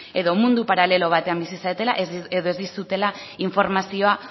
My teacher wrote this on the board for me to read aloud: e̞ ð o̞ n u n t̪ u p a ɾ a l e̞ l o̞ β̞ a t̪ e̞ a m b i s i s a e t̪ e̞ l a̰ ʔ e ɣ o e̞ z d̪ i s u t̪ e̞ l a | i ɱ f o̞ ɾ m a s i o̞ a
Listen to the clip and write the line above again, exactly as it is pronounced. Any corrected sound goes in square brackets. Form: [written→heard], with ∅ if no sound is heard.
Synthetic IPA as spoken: e̞ ð o̞ [n→m] u n [t̪→d̪] u p a ɾ a l e̞ l o̞ β̞ a t̪ e̞ a m b i s i s a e t̪ e̞ l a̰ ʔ e [ɣ→ð] o e̞ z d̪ i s u t̪ e̞ l a | i ɱ f o̞ ɾ m a s i o̞ a